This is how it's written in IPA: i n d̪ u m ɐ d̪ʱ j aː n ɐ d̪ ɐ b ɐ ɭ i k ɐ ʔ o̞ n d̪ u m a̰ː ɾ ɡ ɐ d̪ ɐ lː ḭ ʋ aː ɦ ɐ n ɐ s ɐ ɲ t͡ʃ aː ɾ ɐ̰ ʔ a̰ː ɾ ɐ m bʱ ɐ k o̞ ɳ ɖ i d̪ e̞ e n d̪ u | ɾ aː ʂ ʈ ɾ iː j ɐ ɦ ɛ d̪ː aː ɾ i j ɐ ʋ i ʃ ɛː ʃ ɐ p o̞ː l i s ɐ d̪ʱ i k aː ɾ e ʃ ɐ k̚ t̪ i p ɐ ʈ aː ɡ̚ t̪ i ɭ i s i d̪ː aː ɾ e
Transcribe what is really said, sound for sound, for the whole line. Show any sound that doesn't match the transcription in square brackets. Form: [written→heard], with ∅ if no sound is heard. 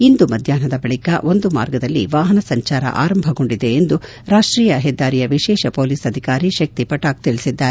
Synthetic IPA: i n d̪ u m ɐ d̪ʱ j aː n ɐ d̪ ɐ b ɐ ɭ i k ɐ ʔ o̞ n d̪ u m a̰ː ɾ ɡ ɐ d̪ ɐ lː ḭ ʋ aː ɦ ɐ n ɐ s ɐ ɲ t͡ʃ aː ɾ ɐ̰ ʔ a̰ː ɾ ɐ m bʱ ɐ [k→ɡ] o̞ ɳ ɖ i d̪ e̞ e n d̪ u | ɾ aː ʂ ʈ ɾ iː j ɐ ɦ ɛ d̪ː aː ɾ i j ɐ ʋ i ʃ ɛː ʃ ɐ p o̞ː l i s ɐ d̪ʱ i k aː ɾ [e→i] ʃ ɐ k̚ t̪ i p ɐ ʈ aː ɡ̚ t̪ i ɭ i s i d̪ː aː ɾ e